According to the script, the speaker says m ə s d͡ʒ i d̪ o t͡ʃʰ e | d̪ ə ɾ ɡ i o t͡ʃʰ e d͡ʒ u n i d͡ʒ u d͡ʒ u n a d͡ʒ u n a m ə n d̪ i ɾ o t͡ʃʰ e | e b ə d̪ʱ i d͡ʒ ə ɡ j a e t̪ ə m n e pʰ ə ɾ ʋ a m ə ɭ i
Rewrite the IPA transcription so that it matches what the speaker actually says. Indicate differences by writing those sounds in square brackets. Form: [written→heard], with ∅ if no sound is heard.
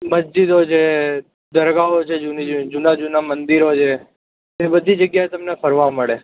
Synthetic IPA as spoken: m ə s d͡ʒ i d̪ o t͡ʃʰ e | d̪ ə ɾ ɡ [i→a] o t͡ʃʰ e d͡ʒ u n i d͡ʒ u d͡ʒ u n a d͡ʒ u n a m ə n d̪ i ɾ o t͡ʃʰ e | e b ə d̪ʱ i d͡ʒ ə ɡ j a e t̪ ə m n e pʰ ə ɾ ʋ a m ə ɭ [i→e]